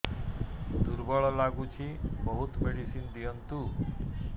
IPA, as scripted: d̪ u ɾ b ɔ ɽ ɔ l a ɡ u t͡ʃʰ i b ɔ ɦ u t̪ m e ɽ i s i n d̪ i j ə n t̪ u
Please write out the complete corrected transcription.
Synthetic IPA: d̪ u ɾ b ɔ ɭ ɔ l a ɡ u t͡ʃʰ i b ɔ ɦ u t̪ m e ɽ i s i n d̪ i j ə n t̪ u